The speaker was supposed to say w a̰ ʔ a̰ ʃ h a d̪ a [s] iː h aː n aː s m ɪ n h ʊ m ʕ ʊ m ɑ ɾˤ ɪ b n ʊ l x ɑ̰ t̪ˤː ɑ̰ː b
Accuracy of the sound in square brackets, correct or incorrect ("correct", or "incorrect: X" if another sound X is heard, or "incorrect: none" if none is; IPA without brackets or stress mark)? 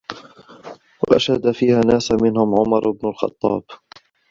incorrect: f